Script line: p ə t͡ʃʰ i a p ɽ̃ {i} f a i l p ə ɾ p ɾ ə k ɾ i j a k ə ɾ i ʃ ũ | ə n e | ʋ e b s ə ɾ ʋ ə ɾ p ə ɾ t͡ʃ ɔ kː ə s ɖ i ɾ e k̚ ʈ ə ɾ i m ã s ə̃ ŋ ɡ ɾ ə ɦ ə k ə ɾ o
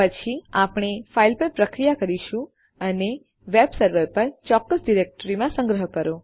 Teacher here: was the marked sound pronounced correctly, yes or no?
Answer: no